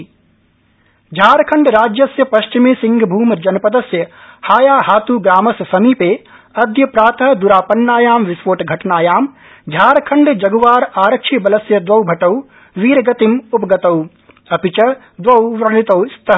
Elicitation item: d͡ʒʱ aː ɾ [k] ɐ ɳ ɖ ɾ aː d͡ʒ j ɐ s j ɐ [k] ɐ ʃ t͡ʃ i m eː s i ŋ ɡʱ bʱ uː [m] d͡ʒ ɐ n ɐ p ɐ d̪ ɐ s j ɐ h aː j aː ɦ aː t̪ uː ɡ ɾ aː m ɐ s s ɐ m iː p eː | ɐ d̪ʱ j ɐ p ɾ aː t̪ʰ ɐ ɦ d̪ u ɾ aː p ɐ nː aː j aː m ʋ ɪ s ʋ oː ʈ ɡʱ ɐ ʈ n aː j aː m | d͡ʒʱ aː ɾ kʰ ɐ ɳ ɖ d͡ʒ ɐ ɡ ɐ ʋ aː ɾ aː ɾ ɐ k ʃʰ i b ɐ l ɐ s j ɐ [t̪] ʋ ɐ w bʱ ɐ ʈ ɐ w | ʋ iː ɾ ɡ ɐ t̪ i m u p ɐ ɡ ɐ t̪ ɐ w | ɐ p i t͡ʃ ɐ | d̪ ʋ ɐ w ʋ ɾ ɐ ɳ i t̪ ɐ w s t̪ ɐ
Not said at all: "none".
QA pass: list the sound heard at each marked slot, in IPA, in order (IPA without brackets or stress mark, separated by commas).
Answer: kʰ, p, m, d̪